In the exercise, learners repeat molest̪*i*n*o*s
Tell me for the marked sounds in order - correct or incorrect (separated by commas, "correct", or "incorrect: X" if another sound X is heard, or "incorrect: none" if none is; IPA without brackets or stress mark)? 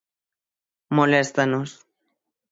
incorrect: a, correct